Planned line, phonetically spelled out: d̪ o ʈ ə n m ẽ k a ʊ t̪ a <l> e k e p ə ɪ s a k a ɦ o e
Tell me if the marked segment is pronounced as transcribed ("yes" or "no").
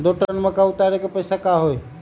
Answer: no